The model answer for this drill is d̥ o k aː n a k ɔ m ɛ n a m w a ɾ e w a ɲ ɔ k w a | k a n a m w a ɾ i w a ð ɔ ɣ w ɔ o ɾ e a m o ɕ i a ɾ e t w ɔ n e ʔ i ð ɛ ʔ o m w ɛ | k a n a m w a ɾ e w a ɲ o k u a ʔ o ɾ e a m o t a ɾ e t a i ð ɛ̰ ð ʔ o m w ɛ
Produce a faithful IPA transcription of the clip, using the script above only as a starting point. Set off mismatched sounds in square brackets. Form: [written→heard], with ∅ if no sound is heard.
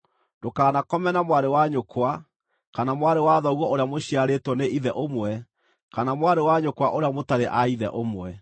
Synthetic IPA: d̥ o k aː n a k ɔ m ɛ n a m w a ɾ e w a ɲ [ɔ→o] k w a | k a n a m w a ɾ [i→e] w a ð ɔ ɣ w ɔ o ɾ e a m o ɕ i a ɾ e t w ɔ n e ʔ i ð ɛ ʔ o m w ɛ | k a n a m w a ɾ e w a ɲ o k [u→w] a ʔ o ɾ e a m o t a ɾ e [t→ʔ] a i ð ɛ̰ [ð→∅] ʔ o m w ɛ